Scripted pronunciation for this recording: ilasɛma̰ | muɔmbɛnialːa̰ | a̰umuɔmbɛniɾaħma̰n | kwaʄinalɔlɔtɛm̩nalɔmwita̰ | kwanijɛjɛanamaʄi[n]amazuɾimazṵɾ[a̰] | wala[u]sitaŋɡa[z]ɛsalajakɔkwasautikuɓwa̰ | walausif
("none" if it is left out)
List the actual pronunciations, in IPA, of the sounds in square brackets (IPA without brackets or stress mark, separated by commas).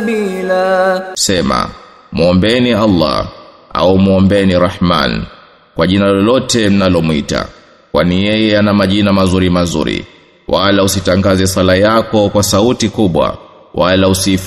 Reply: n, ḭ, u, z